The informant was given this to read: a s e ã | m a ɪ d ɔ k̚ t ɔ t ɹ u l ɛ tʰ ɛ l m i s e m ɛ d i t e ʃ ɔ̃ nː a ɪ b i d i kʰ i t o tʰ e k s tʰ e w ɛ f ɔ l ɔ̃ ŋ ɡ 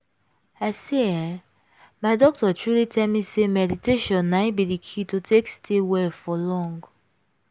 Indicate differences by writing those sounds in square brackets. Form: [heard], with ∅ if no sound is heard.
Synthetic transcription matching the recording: a s e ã | m a ɪ d ɔ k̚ t ɔ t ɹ u l [i] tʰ ɛ l m i s e m ɛ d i t e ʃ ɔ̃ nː a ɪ b i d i kʰ i t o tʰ e k s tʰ e w ɛ f ɔ l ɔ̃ ŋ ɡ